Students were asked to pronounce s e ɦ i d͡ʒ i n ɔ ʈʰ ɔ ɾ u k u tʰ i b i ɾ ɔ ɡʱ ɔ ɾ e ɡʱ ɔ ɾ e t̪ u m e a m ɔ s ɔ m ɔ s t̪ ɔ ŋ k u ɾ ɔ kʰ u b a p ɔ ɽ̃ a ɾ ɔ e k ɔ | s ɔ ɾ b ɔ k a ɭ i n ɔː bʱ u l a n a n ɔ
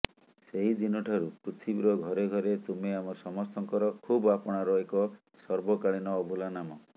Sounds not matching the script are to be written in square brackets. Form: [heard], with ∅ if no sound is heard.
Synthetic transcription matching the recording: s e ɦ i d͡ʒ i n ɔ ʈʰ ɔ ɾ u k u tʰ i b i ɾ ɔ ɡʱ ɔ ɾ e ɡʱ ɔ ɾ e t̪ u m e a m ɔ s ɔ m ɔ s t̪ ɔ ŋ k [ɔ] ɾ ɔ kʰ u b a p ɔ ɽ̃ a ɾ ɔ e k ɔ | s ɔ ɾ b ɔ k a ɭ i n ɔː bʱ u l a n a [m] ɔ